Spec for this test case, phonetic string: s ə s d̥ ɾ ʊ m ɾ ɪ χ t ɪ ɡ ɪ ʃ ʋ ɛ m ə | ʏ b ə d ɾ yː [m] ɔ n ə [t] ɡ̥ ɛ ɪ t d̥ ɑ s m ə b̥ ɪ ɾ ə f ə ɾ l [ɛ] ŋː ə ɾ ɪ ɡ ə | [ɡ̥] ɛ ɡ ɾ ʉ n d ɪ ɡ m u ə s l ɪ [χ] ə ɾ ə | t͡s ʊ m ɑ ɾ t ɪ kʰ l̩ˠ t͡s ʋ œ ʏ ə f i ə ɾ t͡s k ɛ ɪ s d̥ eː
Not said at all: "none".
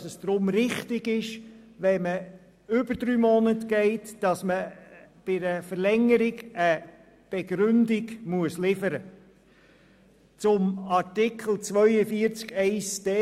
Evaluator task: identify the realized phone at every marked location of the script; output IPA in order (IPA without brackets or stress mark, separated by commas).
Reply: m, t, ɛ, b̥, f